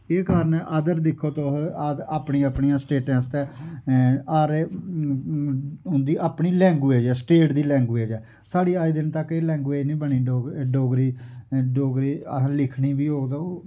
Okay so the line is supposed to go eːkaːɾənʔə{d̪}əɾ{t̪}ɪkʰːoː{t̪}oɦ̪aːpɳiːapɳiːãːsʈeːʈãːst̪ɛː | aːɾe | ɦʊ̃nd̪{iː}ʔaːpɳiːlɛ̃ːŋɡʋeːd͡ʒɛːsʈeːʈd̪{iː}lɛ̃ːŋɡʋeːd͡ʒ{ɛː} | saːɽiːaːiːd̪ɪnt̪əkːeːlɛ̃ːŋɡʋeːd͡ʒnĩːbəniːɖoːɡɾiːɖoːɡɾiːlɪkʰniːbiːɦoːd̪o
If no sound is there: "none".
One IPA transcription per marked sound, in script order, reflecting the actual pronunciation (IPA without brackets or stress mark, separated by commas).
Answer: d̪, d̪, t̪, iː, iː, ɛː